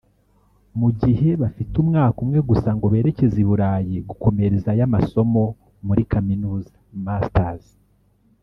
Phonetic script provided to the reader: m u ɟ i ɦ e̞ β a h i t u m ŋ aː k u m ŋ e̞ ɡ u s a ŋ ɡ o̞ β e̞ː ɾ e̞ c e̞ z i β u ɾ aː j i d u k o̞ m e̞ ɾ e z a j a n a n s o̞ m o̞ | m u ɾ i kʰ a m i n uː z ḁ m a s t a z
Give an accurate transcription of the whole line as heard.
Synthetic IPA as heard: m u ɟ i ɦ e̞ β a f i t u m ŋ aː k u m ŋ e̞ ɡ u s a ŋ ɡ o̞ β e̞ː ɾ e̞ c e̞ z i β u ɾ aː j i ɡ u k o̞ m e̞ ɾ e z a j a m a s o̞ m o̞ | m u ɾ i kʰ a m i n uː z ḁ m a s t a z